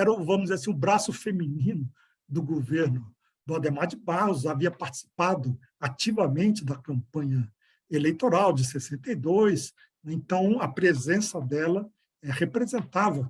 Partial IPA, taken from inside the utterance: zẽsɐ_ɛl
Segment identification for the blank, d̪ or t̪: d̪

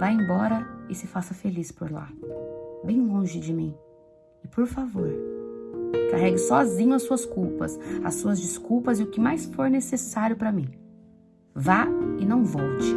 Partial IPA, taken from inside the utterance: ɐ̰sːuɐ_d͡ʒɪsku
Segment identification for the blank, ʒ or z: z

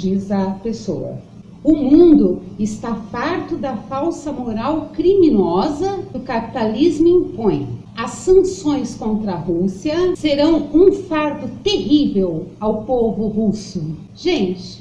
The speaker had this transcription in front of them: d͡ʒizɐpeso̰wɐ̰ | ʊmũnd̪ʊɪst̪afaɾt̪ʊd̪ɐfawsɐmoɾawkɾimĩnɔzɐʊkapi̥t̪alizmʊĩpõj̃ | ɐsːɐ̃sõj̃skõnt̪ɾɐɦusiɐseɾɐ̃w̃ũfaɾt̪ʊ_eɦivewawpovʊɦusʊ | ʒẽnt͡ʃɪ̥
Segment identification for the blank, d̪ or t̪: t̪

